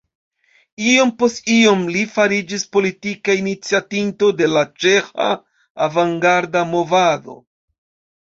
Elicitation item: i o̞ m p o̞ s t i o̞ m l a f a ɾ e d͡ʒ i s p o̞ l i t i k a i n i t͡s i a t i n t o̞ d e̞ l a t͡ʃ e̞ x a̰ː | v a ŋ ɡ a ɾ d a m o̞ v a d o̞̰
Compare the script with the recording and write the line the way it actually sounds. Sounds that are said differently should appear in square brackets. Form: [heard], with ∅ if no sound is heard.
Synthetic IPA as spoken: i o̞ m p o̞ s t i o̞ m l [i] f a ɾ [i] d͡ʒ i s p o̞ l i t i k a i n i t͡s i a t i n t o̞ d e̞ l a t͡ʃ e̞ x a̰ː | v a ŋ ɡ a ɾ d a m o̞ v a d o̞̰